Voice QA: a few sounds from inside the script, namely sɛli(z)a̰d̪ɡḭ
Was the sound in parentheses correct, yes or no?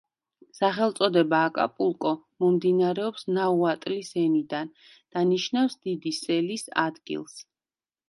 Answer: no